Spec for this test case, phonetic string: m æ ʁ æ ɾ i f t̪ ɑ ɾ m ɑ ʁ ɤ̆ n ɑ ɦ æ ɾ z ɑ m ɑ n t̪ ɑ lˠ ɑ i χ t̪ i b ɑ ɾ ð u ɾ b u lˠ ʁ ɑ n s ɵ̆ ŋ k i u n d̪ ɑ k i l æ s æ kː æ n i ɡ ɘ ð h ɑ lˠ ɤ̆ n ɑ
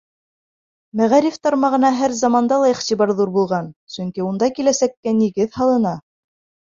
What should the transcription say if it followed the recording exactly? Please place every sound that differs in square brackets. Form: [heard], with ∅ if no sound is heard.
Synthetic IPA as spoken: m æ ʁ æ ɾ i f t̪ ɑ ɾ m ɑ ʁ ɤ̆ n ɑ ɦ æ ɾ z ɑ m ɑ n [d̪] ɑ lˠ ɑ i χ t̪ i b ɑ ɾ ð u ɾ b u lˠ ʁ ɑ n s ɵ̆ ŋ k i u n d̪ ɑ k i l æ s æ kː æ n i ɡ ɘ ð h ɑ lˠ ɤ̆ n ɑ

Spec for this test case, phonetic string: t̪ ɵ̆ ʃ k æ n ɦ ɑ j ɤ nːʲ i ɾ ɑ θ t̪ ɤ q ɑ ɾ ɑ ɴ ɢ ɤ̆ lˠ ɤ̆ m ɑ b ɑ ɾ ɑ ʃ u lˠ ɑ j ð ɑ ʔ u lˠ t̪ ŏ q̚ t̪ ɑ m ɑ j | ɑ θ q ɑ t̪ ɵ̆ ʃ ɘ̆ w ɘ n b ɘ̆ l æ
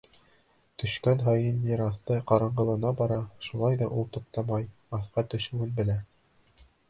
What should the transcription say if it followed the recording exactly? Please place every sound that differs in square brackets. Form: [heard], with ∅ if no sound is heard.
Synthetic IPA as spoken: t̪ ɵ̆ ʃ k æ n ɦ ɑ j ɤ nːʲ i ɾ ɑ θ t̪ ɤ q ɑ ɾ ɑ ɴ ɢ ɤ̆ lˠ ɤ̆ [n] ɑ b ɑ ɾ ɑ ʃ u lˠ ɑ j ð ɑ ʔ u lˠ t̪ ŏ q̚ t̪ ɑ m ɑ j | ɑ θ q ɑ t̪ ɵ̆ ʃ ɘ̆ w ɘ n b ɘ̆ l æ

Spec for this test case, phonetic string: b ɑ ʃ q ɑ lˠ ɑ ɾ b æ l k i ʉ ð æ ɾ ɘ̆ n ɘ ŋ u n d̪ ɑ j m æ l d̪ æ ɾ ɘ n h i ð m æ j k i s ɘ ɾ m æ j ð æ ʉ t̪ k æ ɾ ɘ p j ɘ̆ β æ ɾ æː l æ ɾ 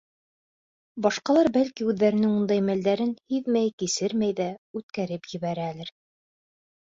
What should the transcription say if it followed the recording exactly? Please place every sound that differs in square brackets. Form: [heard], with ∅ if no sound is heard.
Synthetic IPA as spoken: b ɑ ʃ q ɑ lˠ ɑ ɾ b æ l k i ʉ [ðː] æ ɾ ɘ̆ n ɘ ŋ u n d̪ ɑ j m æ l d̪ æ ɾ ɘ n h i ð m æ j k i s ɘ ɾ m æ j ð æ ʉ t̪ k æ ɾ ɘ p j ɘ̆ β æ ɾ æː l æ ɾ

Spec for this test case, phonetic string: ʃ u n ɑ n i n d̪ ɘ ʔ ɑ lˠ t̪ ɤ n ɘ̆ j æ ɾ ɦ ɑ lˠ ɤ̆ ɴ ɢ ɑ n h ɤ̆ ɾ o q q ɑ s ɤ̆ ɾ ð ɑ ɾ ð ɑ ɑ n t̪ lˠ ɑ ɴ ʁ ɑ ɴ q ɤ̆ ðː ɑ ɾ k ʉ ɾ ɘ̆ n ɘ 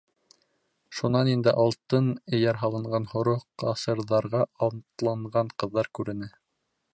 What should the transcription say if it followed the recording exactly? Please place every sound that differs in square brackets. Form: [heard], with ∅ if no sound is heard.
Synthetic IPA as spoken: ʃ u n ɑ n i n d̪ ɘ ʔ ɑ lˠ t̪ ɤ n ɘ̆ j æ ɾ ɦ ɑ lˠ ɤ̆ ɴ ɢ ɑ n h [ŏ] ɾ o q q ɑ s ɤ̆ ɾ ð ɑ ɾ [ʁ] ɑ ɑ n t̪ lˠ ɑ ɴ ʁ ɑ ɴ q ɤ̆ ðː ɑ ɾ k ʉ ɾ ɘ̆ n ɘ

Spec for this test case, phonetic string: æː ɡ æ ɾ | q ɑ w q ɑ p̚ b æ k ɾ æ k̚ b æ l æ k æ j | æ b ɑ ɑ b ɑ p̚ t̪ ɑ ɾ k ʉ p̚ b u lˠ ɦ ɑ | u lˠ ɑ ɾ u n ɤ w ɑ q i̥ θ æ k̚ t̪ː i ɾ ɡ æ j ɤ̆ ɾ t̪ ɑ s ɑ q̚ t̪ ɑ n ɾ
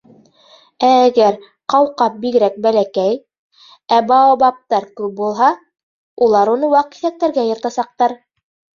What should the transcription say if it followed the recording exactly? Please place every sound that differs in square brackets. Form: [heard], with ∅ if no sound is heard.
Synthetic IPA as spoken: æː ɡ æ ɾ | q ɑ w q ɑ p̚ b [i] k ɾ æ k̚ b æ l æ k æ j | æ b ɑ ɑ b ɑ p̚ t̪ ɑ ɾ k ʉ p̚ b u lˠ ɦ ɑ | u lˠ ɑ ɾ u n ɤ w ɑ q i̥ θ æ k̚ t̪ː [æ] ɾ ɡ æ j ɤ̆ ɾ t̪ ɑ s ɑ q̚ t̪ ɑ [∅] ɾ

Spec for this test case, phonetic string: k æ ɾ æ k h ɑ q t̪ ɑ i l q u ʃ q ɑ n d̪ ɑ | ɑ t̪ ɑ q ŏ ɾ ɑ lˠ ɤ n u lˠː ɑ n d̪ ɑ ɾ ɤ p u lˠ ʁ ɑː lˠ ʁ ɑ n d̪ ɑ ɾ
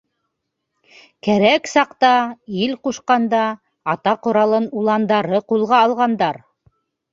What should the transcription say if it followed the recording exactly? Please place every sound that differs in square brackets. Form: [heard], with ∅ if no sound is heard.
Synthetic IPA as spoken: k æ ɾ æ k [s] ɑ q t̪ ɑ i l q u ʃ q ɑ n d̪ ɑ | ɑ t̪ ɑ q ŏ ɾ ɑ lˠ ɤ n u [lˠ] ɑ n d̪ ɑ ɾ ɤ [q] u lˠ ʁ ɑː lˠ ʁ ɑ n d̪ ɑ ɾ

